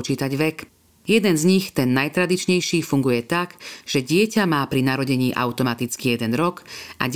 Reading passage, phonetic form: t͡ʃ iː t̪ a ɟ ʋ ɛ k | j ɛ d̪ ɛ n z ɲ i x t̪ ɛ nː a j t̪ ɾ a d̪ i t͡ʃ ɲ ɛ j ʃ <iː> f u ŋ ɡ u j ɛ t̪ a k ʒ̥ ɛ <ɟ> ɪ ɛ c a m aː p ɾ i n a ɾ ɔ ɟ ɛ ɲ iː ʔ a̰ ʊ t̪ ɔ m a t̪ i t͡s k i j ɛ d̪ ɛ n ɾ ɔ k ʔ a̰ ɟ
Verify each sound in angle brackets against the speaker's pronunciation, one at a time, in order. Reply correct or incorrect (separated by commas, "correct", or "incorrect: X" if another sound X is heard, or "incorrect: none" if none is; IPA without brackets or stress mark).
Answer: correct, correct